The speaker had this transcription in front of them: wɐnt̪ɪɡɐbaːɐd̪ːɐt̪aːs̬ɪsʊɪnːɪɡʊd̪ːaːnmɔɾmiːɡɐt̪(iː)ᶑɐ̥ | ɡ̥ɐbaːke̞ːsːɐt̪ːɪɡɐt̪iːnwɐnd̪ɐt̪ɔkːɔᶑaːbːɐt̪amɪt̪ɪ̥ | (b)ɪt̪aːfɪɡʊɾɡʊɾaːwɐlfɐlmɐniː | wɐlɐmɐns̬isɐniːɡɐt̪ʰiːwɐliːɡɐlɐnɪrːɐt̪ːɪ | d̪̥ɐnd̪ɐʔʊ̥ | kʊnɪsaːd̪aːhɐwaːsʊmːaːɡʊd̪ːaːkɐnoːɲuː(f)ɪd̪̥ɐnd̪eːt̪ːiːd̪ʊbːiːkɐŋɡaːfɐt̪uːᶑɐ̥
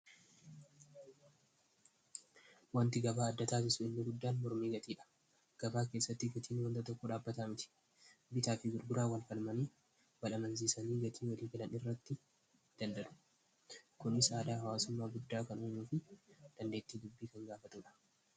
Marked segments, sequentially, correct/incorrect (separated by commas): correct, correct, correct